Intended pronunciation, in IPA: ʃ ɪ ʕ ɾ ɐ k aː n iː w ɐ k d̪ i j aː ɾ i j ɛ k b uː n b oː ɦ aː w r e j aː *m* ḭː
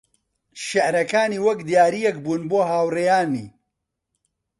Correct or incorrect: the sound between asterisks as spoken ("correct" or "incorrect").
incorrect